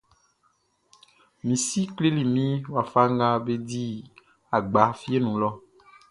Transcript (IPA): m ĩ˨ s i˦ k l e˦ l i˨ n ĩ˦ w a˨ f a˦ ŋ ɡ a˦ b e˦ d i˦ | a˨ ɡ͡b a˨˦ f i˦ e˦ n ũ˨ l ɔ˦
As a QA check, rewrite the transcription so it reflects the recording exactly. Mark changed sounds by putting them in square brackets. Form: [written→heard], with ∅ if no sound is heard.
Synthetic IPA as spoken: m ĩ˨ s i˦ k l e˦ l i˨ [n→m] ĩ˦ w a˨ f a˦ ŋ ɡ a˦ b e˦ d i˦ | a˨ ɡ͡b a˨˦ f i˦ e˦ n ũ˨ l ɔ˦